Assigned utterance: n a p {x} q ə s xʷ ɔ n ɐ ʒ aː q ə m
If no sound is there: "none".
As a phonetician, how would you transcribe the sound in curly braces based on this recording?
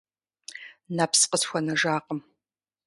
s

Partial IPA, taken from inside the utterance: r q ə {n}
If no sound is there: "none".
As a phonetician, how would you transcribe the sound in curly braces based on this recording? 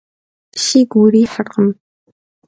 m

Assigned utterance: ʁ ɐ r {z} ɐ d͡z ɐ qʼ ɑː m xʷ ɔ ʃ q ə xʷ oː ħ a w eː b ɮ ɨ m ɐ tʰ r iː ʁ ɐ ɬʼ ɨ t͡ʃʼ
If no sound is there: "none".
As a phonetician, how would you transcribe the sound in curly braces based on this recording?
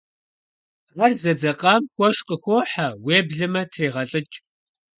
z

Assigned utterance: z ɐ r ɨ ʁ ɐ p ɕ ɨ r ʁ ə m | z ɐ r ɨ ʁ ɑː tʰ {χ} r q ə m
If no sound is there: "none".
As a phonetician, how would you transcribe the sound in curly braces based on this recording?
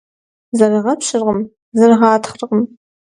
χ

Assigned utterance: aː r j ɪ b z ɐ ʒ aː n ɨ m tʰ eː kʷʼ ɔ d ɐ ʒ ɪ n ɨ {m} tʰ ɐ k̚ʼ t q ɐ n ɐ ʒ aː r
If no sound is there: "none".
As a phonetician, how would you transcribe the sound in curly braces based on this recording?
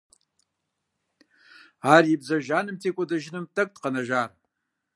m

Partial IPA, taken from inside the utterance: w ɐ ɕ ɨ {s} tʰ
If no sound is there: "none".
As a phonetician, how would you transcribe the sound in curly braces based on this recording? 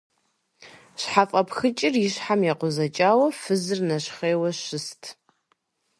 s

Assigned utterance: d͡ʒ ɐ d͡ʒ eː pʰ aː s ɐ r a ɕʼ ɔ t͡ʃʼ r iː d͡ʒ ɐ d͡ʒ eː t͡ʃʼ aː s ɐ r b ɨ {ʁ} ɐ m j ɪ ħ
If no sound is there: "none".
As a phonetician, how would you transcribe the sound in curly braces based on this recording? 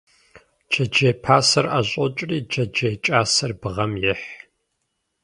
ʁ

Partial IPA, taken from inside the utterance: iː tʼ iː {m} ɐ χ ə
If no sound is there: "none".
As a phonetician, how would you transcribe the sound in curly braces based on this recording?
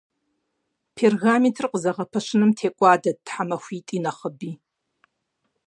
n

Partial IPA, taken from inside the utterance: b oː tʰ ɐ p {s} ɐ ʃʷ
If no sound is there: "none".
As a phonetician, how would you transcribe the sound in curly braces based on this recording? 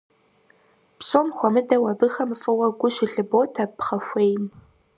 χ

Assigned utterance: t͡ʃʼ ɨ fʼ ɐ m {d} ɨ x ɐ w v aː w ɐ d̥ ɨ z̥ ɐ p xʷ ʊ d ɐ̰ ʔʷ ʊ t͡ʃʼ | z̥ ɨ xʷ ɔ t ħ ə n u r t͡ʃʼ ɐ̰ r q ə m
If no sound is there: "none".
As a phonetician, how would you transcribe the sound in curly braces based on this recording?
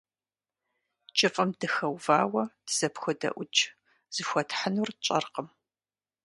d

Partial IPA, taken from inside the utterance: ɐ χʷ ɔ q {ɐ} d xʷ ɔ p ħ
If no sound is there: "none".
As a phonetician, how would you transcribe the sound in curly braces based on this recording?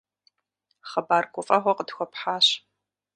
ə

